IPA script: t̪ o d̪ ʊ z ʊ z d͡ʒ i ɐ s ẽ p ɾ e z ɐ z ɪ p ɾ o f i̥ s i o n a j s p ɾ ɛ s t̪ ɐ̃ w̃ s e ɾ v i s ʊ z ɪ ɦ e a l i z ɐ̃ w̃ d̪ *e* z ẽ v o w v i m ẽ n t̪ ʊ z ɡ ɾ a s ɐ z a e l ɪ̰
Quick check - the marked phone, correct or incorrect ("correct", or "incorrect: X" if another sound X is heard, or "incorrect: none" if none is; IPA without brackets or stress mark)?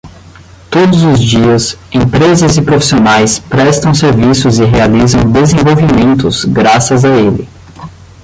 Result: correct